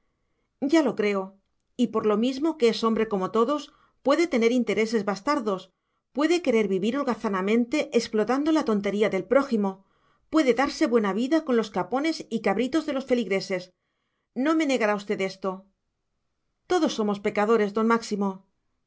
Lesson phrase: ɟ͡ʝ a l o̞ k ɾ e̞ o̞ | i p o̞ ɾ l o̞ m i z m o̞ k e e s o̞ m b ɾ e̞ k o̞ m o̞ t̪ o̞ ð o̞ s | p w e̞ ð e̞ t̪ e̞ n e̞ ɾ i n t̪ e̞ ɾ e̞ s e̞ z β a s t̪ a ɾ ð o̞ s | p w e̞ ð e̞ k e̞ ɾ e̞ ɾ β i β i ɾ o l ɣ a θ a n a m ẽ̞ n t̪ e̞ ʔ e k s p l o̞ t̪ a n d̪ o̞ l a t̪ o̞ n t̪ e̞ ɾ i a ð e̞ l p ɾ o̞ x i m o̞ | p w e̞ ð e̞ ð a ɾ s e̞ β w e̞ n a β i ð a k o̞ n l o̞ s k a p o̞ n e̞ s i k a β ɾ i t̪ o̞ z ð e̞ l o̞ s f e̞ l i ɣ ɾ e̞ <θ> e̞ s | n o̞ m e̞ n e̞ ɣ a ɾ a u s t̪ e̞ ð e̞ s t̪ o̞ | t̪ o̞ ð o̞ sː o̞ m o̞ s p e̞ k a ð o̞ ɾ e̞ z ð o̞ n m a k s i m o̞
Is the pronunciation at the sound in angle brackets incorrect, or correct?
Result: incorrect